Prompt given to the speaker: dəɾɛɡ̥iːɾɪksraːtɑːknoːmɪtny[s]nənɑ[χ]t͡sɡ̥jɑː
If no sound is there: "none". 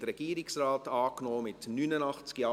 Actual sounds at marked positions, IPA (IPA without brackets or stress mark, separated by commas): none, χ